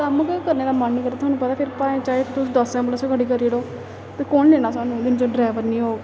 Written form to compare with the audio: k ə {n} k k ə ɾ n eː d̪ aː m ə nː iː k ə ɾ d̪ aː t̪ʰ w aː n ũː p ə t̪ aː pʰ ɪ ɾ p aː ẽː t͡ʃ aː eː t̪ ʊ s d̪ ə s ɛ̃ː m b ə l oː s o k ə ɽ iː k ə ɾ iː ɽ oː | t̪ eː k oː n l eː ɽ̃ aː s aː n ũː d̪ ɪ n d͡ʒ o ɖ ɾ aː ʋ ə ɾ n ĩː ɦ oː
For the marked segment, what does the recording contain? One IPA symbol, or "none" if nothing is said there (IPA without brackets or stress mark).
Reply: m